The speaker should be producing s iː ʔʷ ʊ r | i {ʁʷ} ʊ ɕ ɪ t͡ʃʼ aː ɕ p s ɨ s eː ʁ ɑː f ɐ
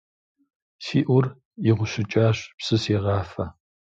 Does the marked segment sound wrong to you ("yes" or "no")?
no